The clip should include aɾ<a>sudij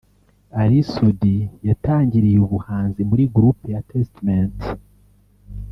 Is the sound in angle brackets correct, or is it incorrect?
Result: incorrect: i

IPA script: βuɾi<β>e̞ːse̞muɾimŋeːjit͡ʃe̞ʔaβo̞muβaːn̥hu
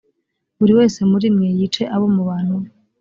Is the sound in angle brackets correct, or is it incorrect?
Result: incorrect: w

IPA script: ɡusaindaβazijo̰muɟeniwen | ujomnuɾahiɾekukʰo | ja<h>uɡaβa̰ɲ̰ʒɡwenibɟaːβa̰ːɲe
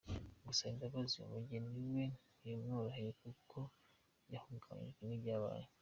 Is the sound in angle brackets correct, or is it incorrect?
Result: correct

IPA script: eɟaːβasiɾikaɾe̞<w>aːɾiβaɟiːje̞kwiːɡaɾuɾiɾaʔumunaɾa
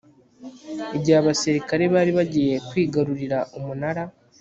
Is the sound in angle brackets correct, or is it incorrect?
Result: incorrect: β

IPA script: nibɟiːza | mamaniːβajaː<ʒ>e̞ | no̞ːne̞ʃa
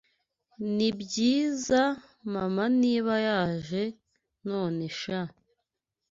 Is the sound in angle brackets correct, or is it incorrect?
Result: correct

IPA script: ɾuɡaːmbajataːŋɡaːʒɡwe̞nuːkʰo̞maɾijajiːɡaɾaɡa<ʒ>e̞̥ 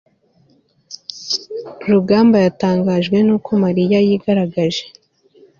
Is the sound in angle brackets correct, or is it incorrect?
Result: correct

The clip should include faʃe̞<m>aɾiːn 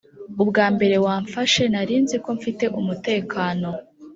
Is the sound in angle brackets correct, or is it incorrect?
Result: incorrect: n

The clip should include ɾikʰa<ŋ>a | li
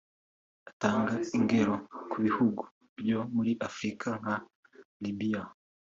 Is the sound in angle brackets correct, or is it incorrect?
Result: correct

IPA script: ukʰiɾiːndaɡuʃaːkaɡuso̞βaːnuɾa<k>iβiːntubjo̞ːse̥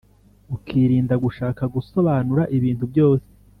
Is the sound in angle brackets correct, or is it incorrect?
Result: incorrect: ʔ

